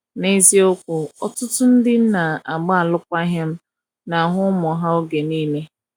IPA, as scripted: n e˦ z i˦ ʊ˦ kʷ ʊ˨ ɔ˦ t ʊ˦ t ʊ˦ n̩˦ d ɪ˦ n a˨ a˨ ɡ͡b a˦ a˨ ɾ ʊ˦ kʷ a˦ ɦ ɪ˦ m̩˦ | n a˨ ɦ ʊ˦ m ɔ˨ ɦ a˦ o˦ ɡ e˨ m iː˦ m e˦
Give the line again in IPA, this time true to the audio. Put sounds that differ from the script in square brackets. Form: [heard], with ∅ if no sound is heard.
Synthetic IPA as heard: n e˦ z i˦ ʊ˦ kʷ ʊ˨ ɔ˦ t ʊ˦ t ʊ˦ n̩˦ d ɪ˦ n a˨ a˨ ɡ͡b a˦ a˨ [l] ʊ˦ kʷ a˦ ɦ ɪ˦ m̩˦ | n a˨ ɦ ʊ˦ m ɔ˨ ɦ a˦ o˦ ɡ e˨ [n] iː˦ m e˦